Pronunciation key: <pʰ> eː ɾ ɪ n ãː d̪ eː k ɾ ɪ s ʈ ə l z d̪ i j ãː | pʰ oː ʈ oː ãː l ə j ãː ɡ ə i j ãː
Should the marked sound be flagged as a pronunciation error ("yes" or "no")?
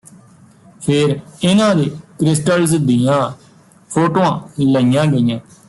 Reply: no